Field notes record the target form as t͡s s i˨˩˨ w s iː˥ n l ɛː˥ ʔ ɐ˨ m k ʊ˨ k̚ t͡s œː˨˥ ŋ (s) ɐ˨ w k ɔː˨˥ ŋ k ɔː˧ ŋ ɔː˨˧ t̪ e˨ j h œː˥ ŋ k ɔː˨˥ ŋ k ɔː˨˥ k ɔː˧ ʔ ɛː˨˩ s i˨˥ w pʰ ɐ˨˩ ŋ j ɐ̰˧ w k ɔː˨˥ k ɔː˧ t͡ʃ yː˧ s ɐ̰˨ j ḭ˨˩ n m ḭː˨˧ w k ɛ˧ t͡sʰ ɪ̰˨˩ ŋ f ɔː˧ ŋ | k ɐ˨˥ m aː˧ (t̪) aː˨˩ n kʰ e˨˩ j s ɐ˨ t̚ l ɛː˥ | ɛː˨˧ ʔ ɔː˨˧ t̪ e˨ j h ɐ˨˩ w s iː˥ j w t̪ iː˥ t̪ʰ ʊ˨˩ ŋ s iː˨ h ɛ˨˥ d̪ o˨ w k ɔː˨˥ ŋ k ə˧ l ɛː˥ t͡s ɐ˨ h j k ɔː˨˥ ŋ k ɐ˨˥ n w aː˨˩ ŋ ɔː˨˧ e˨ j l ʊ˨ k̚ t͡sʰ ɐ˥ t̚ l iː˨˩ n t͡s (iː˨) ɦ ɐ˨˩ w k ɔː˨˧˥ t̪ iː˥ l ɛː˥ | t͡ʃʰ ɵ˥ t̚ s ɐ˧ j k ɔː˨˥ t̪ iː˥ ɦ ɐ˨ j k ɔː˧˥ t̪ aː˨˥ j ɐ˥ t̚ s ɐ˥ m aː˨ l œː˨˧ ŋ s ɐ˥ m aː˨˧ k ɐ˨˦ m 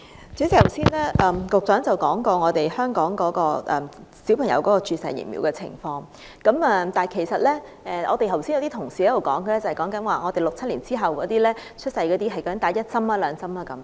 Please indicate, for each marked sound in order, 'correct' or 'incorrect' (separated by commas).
incorrect, correct, incorrect